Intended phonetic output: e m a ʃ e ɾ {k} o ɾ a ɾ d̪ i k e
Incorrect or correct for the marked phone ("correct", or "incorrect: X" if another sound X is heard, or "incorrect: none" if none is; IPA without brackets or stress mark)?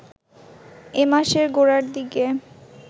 incorrect: ɡ